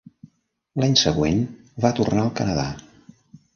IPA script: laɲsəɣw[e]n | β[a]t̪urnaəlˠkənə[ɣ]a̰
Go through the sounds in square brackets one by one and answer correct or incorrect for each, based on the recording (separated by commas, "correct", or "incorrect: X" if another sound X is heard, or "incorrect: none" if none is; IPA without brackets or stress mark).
correct, correct, incorrect: ð